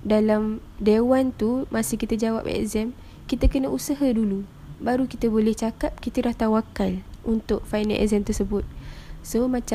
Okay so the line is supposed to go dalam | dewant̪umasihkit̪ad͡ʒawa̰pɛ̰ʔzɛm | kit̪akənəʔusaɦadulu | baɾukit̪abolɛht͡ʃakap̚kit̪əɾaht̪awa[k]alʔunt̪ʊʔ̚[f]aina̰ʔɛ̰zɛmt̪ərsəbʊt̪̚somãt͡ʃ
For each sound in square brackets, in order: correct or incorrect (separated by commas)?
correct, correct